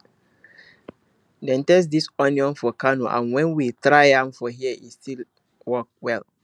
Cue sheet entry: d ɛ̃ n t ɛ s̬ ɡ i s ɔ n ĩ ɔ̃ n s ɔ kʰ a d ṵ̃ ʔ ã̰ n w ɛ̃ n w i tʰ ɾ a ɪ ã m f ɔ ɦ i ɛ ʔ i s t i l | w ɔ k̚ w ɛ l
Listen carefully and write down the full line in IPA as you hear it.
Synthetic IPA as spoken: d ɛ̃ n t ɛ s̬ d i s ɔ n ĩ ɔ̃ n f ɔ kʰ a n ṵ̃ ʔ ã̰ n w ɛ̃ n w i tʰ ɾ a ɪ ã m f ɔ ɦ i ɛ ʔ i s t i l | w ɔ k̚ w ɛ l